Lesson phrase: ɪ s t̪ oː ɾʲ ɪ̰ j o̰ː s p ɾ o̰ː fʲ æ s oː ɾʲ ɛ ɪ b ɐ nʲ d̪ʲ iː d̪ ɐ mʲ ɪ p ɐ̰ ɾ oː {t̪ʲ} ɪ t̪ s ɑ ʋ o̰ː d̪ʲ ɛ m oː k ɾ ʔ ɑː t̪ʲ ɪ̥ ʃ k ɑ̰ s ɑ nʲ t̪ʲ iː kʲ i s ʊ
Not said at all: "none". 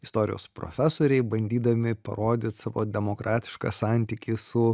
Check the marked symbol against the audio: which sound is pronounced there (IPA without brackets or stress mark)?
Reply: d̪ʲ